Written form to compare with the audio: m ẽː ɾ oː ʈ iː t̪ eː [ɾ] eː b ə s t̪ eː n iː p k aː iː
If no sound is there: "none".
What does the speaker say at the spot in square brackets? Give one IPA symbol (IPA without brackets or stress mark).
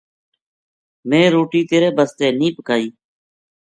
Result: ɾ